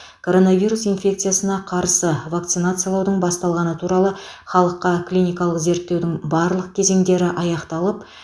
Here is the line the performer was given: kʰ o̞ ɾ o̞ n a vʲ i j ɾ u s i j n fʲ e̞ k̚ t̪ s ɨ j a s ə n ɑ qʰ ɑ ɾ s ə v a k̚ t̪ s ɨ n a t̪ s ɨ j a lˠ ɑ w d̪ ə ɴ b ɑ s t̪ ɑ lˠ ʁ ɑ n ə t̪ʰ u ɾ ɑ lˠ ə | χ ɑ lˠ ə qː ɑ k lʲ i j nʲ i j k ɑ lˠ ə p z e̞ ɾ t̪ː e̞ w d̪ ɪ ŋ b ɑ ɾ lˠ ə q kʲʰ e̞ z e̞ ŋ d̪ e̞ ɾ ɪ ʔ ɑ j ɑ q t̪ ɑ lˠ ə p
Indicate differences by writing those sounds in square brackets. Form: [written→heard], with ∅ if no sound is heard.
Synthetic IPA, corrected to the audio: kʰ o̞ ɾ o̞ n a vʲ i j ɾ u s i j n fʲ e̞ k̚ t̪ s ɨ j a s ə n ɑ qʰ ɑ ɾ s ə v a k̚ t̪ s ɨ n a t̪ s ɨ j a lˠ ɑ w d̪ ə ɴ b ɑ s t̪ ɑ lˠ ʁ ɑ n ə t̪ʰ u ɾ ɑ lˠ ə | χ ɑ lˠ ə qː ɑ k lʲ i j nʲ i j k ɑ lˠ ə [p→q] z e̞ ɾ t̪ː e̞ w d̪ ɪ ŋ b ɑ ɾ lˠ ə q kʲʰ e̞ z e̞ ŋ d̪ e̞ ɾ ɪ ʔ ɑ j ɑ q t̪ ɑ lˠ ə p